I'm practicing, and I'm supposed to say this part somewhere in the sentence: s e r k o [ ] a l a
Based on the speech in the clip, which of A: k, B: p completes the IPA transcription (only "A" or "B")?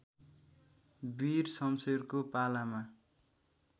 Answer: B